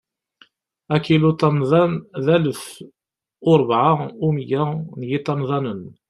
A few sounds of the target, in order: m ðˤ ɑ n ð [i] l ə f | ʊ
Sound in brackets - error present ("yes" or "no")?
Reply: yes